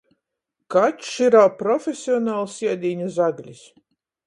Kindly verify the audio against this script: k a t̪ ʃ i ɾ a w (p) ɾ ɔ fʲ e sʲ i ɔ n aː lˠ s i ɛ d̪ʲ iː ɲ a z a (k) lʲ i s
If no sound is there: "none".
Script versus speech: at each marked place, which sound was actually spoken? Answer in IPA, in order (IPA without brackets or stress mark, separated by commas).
p, ɡ